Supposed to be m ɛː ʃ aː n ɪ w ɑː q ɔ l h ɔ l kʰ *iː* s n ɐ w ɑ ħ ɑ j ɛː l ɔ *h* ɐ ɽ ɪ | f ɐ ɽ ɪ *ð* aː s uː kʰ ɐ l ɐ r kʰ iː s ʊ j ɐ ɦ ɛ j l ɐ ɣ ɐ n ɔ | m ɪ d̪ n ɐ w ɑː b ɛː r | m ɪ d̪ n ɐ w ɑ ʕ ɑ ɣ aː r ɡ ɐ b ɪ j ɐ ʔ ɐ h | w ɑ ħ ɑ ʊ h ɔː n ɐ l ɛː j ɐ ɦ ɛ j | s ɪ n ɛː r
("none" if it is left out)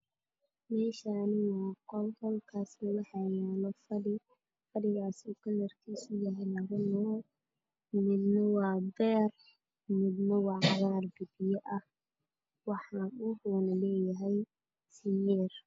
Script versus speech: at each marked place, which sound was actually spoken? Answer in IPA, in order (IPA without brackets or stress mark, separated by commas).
aː, f, ɣ